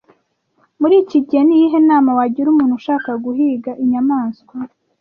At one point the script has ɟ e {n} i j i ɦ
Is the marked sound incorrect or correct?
correct